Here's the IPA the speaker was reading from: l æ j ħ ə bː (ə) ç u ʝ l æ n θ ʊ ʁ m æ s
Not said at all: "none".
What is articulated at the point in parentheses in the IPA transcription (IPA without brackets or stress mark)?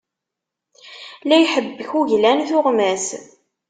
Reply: ə